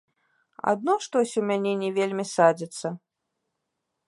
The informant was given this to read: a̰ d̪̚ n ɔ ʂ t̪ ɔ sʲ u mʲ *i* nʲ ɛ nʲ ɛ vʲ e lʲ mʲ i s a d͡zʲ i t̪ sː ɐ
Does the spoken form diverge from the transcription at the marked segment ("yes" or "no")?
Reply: yes